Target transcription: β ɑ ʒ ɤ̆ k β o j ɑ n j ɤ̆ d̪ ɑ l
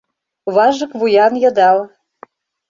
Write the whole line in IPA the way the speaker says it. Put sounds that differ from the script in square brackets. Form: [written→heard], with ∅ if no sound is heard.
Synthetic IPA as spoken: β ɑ ʒ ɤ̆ k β [o→u] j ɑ n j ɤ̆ d̪ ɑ l